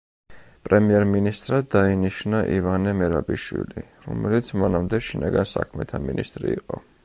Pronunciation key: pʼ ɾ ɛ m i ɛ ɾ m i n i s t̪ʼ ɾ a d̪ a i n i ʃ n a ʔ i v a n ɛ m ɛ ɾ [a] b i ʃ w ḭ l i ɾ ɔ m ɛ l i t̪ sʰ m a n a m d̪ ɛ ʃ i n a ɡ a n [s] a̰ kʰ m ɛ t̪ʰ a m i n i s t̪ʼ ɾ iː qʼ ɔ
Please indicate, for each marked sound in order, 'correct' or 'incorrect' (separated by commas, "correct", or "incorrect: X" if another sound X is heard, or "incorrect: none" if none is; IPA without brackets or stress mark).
correct, correct